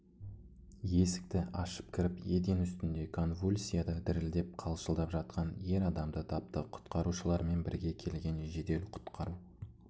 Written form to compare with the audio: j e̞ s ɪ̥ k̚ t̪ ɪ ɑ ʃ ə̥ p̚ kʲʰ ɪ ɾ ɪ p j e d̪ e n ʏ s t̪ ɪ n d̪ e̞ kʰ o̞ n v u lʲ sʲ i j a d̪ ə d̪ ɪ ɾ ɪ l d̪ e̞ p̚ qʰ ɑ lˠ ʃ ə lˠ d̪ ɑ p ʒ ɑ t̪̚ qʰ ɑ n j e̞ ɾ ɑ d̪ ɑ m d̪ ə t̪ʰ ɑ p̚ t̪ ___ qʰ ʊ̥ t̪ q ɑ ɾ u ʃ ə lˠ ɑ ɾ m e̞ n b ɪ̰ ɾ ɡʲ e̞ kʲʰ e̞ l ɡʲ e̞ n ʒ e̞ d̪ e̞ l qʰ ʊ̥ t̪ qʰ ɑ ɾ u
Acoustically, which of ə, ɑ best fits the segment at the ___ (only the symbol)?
ə